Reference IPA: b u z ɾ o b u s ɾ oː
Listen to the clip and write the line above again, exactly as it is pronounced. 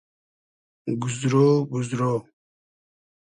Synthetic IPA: ɡ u z ɾ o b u z ɾ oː